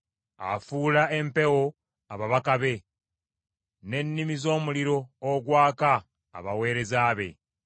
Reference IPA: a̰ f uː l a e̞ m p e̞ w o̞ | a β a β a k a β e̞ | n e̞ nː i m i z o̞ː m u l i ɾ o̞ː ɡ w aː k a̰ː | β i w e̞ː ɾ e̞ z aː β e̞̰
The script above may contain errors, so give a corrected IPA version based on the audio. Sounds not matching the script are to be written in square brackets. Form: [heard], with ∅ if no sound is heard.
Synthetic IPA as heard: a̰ f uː l a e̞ m p e̞ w o̞ | a β a β a k a β e̞ | n e̞ nː i m i z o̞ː m u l i ɾ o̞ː ɡ w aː k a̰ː | β [a] w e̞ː ɾ e̞ z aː β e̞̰